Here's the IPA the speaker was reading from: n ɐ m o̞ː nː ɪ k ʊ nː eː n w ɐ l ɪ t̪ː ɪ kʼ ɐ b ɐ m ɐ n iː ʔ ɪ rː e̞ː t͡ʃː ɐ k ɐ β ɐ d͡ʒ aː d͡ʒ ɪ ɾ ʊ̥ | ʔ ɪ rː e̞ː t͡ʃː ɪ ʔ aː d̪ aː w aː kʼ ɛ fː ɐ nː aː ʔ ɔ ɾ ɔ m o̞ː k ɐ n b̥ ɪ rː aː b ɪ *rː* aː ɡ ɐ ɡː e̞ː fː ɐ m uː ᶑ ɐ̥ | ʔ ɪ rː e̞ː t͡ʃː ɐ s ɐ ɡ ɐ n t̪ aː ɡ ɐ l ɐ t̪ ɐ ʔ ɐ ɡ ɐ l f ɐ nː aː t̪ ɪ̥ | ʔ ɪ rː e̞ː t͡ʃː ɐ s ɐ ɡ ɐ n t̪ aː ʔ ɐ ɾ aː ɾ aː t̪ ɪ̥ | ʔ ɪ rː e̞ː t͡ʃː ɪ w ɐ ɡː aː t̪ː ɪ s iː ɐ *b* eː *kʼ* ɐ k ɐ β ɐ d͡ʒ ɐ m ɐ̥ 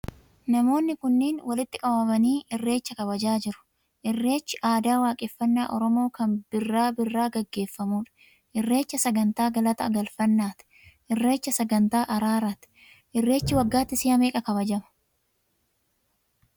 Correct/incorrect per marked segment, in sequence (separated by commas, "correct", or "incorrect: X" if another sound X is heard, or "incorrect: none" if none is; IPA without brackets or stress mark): correct, incorrect: m, correct